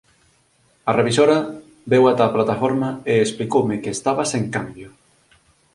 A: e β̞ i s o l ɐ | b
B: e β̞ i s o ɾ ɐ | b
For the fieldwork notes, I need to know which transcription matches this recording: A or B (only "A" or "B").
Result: B